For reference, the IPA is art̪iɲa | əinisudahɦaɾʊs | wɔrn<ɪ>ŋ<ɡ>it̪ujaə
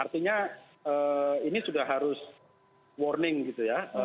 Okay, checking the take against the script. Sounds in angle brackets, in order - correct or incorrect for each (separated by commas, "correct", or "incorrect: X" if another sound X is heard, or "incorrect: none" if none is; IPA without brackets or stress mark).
correct, correct